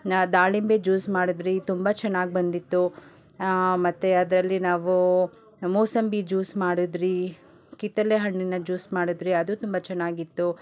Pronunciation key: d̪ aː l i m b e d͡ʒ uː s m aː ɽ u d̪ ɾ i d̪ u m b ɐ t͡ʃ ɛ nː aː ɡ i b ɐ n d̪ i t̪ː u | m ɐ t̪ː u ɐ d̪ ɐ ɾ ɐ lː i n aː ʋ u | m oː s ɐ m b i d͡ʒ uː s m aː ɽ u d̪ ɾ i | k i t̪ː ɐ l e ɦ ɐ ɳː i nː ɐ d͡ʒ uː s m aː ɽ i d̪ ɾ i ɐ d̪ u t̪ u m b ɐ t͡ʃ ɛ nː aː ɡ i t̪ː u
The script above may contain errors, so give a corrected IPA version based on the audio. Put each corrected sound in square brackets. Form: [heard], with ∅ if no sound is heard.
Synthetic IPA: d̪ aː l i m b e d͡ʒ uː s m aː ɽ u d̪ ɾ i [t̪] u m b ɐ t͡ʃ ɛ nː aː ɡ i b ɐ n d̪ i t̪ː u | m ɐ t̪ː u ɐ d̪ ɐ ɾ ɐ lː i n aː ʋ u | m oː s ɐ m b i d͡ʒ uː s m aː ɽ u d̪ ɾ i | k i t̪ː ɐ l e ɦ ɐ ɳː i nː ɐ d͡ʒ uː s m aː ɽ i d̪ ɾ i ɐ d̪ u t̪ u m b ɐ t͡ʃ ɛ nː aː ɡ i t̪ː u